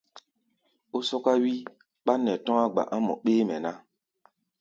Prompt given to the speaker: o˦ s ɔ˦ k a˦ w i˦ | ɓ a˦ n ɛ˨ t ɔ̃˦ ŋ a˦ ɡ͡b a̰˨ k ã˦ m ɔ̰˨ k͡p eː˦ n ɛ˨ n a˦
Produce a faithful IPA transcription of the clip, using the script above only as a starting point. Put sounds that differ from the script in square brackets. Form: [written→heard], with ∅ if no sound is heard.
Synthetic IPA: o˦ s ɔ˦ k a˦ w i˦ | ɓ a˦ n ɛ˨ t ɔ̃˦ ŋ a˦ ɡ͡b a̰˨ [k→ʔ] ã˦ m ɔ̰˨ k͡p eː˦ [n→m] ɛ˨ n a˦